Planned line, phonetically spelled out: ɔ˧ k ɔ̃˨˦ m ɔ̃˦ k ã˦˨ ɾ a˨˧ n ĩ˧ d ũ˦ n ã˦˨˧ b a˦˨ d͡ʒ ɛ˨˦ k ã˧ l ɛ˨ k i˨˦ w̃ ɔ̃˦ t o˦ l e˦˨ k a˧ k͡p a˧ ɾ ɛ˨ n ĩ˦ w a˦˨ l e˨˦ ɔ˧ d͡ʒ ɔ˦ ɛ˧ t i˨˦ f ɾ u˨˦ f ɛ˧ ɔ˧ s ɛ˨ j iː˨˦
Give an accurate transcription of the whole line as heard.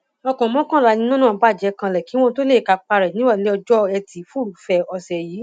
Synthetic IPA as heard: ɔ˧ k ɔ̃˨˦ m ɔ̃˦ k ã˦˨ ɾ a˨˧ n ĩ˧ n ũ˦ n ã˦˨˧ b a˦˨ d͡ʒ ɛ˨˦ k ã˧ l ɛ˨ k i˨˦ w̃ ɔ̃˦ t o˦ l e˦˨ k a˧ k͡p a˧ ɾ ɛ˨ n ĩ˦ w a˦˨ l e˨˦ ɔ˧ d͡ʒ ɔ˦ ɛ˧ t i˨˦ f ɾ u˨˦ f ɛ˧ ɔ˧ s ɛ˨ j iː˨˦